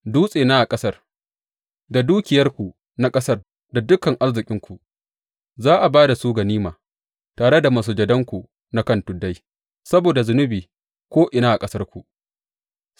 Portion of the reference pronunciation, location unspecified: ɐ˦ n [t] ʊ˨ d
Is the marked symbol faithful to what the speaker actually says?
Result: yes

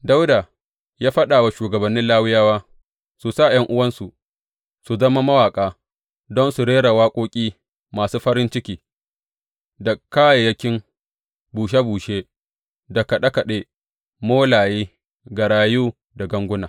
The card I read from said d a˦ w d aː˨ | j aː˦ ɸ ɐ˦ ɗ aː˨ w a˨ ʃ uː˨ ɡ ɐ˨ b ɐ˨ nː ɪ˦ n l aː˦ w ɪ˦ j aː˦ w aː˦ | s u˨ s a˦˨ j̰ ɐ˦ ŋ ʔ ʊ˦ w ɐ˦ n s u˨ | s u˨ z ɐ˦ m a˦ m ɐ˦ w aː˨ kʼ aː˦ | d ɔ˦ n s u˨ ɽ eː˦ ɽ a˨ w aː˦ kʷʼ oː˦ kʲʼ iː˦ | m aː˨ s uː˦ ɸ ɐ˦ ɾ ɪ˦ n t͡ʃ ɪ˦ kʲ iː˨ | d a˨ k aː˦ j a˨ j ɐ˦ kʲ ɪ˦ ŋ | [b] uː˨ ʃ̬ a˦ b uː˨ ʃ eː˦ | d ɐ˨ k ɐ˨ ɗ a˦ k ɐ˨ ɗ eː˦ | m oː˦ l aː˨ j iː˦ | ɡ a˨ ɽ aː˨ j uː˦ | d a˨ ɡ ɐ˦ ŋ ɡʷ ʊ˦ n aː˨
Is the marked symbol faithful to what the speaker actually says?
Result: yes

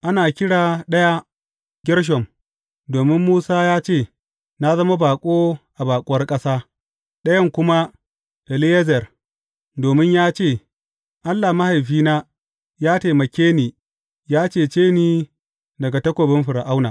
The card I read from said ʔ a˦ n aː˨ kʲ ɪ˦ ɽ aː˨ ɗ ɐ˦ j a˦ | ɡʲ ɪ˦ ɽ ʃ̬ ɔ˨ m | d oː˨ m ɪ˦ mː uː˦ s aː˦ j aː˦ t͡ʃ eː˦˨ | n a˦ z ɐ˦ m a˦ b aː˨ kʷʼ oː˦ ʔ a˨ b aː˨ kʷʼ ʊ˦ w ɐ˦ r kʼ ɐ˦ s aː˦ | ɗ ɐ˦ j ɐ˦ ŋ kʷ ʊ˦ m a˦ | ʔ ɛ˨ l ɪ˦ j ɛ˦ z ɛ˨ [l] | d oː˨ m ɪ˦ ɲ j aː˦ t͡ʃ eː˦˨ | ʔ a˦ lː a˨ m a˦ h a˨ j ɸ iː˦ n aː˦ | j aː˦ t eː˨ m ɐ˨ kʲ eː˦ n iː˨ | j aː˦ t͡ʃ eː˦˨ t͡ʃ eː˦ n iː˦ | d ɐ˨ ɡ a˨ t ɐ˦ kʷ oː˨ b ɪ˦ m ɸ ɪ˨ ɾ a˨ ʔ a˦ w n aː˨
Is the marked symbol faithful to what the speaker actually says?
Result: no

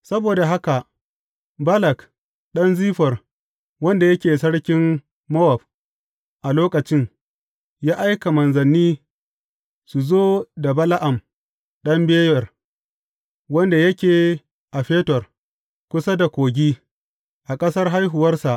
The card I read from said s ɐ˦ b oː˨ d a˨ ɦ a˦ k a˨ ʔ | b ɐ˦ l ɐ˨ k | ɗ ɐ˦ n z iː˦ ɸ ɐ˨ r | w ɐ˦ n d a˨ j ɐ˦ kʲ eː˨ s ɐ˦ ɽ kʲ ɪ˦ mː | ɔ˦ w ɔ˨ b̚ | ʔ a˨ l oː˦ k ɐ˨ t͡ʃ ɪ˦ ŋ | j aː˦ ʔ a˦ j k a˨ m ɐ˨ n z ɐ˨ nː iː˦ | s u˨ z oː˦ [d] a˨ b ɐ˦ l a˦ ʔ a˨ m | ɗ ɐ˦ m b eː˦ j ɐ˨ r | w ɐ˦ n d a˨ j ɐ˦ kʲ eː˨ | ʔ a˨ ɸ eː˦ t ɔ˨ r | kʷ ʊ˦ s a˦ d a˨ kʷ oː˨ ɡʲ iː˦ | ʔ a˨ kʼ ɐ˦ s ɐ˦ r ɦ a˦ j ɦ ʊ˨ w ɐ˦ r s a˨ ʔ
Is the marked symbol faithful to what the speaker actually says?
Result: yes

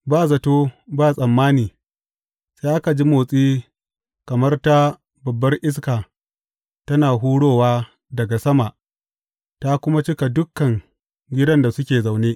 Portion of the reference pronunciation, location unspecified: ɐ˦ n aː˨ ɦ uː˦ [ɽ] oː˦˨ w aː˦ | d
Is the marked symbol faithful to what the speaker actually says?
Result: yes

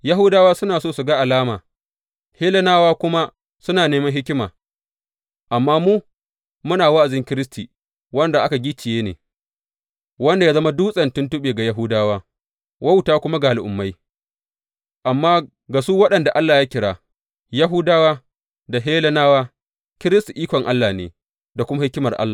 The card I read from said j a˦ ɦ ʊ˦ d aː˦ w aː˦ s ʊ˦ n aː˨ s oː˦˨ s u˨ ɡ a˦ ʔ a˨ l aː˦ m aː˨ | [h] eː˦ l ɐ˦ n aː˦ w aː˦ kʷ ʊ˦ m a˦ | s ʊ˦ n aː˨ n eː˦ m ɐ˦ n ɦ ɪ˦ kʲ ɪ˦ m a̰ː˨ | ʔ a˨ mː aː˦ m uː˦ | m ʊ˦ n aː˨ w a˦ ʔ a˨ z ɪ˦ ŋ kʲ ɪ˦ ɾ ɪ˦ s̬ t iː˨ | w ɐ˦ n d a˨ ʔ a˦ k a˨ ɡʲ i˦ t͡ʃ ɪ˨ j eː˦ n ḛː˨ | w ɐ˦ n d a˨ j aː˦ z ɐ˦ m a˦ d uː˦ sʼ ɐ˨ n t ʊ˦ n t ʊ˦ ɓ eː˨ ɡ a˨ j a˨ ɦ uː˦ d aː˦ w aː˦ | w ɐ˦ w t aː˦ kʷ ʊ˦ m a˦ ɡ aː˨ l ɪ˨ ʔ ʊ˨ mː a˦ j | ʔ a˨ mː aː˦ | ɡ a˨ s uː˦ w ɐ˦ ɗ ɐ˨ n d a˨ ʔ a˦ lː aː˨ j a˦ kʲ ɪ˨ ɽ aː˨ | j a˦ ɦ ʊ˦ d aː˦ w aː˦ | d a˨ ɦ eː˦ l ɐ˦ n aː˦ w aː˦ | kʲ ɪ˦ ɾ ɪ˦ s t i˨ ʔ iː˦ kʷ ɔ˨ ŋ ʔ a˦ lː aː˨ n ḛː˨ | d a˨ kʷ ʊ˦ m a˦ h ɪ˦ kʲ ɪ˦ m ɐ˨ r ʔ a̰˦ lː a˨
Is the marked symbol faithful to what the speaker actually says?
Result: yes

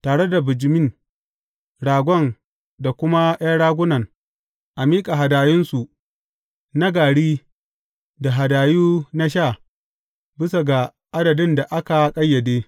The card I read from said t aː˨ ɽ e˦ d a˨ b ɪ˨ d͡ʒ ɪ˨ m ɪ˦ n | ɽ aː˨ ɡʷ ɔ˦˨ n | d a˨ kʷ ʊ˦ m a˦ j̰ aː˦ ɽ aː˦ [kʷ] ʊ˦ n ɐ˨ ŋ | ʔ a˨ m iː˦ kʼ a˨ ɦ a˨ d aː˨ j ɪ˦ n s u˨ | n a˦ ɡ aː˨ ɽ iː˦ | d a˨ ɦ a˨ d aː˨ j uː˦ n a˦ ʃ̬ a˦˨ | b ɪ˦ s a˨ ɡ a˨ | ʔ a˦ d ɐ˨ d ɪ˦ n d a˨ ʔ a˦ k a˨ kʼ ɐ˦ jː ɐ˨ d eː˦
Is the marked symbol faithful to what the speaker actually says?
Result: no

